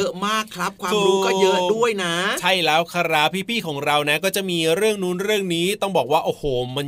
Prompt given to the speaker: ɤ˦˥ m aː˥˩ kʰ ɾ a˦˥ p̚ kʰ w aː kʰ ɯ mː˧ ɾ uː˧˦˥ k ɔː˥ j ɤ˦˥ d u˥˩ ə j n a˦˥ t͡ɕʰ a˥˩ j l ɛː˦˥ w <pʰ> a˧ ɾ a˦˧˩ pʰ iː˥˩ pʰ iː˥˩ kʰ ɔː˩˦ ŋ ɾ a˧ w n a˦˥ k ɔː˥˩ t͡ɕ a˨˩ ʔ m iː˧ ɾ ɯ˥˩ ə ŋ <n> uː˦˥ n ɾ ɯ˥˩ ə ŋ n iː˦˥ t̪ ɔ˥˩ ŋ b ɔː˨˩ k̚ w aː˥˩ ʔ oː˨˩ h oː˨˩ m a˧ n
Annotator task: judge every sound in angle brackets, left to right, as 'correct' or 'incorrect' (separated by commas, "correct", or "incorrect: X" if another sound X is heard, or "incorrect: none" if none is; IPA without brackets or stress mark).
incorrect: kʰ, correct